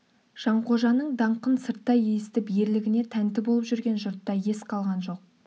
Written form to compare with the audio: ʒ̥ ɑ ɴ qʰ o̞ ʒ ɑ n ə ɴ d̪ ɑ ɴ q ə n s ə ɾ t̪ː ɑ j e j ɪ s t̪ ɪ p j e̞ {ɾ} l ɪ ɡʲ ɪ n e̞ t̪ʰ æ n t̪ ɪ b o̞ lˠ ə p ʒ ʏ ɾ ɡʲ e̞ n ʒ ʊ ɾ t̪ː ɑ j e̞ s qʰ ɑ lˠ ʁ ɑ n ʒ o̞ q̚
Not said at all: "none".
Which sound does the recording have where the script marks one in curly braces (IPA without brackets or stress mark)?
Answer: ɾ